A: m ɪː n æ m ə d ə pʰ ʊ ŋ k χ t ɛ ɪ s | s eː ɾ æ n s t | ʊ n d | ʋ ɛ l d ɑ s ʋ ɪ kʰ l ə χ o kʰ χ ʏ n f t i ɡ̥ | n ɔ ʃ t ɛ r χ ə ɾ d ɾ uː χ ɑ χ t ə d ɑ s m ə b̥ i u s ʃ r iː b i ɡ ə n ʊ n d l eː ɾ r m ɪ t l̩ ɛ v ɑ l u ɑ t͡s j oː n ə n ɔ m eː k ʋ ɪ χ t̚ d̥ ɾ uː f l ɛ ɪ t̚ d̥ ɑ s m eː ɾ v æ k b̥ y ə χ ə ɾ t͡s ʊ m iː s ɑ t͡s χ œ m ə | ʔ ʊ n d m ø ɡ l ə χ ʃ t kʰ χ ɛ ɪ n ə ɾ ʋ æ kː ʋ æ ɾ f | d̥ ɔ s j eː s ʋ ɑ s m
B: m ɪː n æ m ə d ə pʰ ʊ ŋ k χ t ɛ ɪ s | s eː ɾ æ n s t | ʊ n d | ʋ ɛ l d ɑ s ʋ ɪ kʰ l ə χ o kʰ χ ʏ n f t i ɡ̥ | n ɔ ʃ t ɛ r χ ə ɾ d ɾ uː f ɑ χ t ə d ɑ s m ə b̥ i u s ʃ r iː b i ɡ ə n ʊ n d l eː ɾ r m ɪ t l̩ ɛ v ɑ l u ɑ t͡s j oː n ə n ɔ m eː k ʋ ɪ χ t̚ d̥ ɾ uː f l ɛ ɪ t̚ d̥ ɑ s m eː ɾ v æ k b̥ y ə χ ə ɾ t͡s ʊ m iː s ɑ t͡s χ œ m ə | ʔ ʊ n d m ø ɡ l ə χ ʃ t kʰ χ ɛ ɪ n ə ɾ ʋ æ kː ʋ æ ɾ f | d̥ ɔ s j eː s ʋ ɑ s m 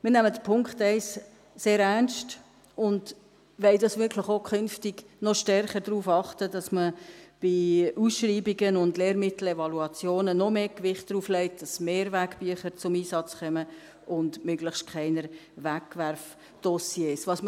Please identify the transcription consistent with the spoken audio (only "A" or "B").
B